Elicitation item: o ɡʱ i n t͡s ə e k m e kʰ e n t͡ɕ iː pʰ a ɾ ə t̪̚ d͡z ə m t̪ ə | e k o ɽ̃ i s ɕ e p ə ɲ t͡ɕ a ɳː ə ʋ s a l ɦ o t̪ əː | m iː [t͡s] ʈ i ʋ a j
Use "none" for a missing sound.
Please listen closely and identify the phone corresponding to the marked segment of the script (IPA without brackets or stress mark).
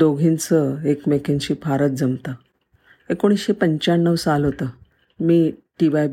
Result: none